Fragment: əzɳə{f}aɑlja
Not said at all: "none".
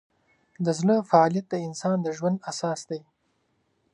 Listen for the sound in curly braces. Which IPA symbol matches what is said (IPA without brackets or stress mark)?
f